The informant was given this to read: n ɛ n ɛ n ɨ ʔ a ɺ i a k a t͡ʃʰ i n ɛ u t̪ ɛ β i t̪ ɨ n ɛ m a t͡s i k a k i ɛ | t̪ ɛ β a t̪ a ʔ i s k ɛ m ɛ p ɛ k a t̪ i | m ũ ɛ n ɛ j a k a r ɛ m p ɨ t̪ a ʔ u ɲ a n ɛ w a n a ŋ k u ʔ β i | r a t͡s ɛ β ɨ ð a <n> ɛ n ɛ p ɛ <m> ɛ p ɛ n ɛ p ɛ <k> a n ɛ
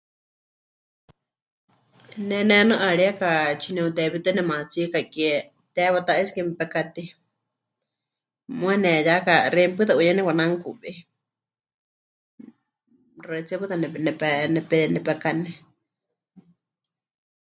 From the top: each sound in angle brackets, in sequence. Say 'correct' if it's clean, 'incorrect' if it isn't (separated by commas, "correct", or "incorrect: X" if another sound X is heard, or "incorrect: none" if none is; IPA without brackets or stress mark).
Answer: correct, incorrect: n, correct